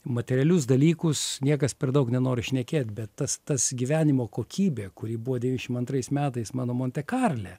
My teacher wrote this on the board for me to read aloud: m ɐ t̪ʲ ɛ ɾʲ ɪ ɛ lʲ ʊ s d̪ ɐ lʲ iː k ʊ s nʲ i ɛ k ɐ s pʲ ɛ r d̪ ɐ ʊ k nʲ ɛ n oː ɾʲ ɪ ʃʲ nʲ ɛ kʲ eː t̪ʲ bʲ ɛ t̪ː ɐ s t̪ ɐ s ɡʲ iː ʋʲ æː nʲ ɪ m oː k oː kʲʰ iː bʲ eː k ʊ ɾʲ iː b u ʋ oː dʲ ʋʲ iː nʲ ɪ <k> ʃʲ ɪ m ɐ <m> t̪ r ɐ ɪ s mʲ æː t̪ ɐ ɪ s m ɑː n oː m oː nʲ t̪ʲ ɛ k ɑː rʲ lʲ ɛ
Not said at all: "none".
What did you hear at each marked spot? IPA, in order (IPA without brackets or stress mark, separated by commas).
none, n